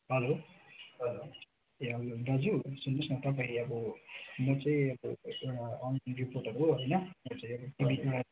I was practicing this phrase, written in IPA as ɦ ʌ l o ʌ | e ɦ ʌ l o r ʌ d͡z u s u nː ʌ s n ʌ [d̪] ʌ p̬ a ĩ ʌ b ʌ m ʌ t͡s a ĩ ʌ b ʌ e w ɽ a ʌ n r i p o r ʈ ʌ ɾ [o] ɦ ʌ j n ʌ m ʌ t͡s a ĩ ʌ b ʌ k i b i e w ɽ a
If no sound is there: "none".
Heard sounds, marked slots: t̪, u

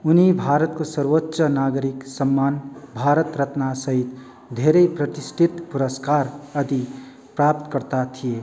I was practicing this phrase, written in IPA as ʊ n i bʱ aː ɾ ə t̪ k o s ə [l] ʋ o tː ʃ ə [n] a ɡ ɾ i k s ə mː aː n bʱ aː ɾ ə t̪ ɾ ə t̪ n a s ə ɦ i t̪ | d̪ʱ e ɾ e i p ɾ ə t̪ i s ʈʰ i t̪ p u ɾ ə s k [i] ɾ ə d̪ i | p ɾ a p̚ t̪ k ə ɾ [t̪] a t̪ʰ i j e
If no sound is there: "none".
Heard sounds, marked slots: ɾ, n, a, t̪

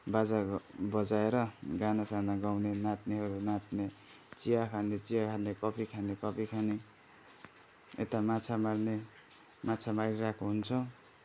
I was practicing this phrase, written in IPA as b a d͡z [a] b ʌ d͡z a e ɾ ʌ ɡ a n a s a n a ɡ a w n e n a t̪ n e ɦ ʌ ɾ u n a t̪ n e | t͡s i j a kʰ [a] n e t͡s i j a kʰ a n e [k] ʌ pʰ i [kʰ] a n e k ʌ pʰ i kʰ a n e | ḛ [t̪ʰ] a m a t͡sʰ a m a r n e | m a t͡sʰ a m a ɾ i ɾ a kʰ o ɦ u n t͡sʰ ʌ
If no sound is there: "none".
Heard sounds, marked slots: a, a, k, kʰ, t̪

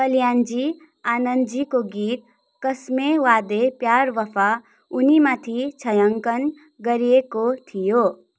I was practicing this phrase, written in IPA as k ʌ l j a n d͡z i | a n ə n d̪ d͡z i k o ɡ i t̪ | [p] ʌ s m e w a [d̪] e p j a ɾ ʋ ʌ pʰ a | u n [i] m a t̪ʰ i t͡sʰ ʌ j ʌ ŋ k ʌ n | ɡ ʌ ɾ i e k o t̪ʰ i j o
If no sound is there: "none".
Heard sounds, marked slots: k, d̪, i

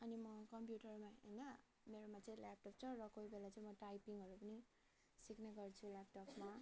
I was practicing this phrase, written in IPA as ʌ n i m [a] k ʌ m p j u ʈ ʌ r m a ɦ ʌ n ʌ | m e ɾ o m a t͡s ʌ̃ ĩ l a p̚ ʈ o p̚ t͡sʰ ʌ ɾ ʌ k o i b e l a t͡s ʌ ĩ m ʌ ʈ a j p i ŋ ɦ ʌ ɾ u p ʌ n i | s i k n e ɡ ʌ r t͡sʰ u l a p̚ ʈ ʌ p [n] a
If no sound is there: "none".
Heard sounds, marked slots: ʌ, m

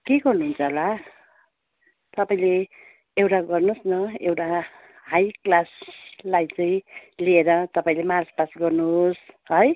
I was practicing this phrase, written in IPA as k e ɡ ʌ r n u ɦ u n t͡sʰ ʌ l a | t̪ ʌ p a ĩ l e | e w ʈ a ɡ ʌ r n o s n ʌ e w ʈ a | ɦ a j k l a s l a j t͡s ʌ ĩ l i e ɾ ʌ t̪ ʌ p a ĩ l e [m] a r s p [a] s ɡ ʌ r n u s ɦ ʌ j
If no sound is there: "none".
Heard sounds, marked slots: m, a

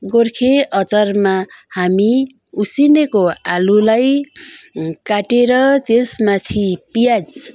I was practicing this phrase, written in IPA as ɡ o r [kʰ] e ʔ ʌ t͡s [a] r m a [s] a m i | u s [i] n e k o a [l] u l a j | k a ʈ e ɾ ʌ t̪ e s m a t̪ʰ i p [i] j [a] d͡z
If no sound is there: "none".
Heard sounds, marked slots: kʰ, ʌ, h, i, l, i, a

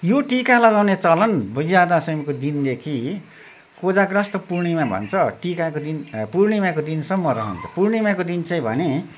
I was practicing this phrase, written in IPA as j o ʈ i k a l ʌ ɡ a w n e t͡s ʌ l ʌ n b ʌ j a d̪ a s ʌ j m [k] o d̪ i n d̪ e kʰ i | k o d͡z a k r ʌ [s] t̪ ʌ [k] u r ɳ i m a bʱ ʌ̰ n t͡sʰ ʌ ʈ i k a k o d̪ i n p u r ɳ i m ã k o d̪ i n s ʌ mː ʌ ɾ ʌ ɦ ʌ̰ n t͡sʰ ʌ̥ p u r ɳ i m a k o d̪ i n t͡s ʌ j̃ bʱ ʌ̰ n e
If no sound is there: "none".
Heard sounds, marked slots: k, s, p

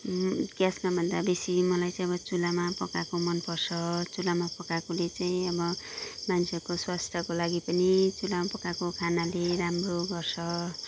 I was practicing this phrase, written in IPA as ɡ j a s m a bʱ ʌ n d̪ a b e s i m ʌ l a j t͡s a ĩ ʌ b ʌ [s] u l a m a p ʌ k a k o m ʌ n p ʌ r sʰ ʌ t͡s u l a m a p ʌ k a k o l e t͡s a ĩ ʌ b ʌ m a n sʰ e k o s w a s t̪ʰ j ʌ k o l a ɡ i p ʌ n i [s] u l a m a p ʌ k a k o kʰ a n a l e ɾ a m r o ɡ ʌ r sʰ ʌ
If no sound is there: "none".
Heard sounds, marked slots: t͡s, t͡s

